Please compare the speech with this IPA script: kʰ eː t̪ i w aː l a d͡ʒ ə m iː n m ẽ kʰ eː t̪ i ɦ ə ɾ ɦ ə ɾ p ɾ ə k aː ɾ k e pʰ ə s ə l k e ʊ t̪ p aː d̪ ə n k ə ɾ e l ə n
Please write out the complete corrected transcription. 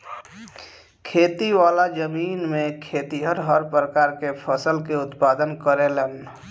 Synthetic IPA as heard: kʰ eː t̪ i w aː l a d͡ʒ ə m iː n m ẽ kʰ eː t̪ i ɦ ə ɾ ɦ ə ɾ p ɾ ə k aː ɾ k e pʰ ə s ə l k e ʊ t̪ p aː d̪ ə n k ə ɾ e l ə n